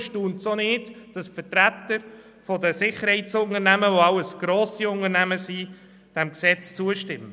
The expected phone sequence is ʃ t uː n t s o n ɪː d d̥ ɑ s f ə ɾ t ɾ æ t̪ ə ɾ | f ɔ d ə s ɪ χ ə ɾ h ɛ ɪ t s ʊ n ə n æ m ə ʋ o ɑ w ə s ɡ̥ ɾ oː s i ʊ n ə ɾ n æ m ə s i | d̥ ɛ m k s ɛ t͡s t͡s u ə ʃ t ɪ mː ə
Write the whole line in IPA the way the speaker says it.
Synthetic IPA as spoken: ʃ t uː n t s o n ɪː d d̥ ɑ s f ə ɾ t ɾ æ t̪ ə ɾ | f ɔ d ə s ɪ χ ə ɾ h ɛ ɪ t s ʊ n ə n æ m ə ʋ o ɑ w ə s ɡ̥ ɾ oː s i ʊ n ə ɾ n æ m ə s i | d̥ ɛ m k s ɛ t͡s t͡s u ə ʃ t ɪ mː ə